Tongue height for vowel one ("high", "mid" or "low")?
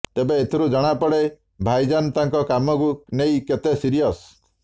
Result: mid